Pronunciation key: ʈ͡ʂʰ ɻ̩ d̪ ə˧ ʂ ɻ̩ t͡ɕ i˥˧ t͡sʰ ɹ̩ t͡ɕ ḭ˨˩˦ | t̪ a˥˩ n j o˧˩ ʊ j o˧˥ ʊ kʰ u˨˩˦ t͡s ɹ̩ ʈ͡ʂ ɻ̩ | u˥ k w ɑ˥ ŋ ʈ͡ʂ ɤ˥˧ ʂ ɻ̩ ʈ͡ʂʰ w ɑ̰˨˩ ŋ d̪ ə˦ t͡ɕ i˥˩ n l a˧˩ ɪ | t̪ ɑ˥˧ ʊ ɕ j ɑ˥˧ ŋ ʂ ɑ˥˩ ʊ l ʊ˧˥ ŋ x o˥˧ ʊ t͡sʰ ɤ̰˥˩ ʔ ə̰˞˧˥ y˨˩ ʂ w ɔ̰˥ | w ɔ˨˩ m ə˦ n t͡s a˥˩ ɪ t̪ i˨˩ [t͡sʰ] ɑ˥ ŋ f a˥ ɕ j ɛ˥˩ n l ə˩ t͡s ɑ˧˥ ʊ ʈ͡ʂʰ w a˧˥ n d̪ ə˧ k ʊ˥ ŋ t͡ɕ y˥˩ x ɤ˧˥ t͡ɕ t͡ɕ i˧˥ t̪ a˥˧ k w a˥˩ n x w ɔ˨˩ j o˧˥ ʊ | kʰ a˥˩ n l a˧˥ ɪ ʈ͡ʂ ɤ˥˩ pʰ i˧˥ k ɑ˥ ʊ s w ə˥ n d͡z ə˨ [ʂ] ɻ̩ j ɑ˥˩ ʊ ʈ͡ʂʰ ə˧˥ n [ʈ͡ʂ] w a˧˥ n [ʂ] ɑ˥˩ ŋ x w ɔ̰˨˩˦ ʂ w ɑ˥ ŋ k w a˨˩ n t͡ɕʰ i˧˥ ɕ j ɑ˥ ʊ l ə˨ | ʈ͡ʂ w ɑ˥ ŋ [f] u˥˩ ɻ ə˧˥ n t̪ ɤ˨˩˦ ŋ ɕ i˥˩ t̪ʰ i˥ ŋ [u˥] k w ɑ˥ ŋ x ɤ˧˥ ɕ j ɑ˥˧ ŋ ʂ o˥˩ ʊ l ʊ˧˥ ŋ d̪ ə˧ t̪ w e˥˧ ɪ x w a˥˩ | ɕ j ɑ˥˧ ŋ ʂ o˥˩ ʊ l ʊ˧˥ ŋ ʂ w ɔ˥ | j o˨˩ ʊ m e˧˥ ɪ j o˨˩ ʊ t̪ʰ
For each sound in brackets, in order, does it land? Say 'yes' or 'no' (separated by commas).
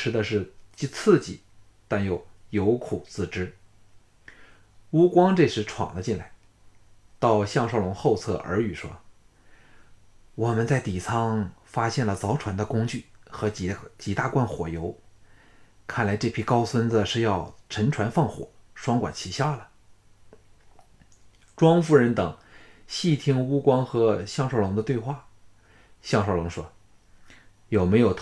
yes, yes, no, no, yes, yes